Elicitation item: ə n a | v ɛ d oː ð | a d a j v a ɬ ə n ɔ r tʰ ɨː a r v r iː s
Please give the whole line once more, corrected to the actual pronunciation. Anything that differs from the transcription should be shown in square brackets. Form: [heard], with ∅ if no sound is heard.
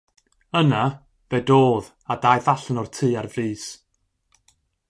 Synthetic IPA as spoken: ə n a | v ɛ d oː ð | a d a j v a ɬ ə n ɔ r tʰ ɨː a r v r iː s